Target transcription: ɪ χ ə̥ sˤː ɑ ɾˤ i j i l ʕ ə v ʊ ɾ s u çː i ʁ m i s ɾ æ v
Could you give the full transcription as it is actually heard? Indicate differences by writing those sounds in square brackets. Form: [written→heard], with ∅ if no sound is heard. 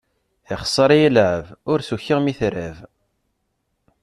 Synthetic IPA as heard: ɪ χ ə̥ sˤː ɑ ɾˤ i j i l ʕ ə v ʊ ɾ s u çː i ʁ m i [s→θ] ɾ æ v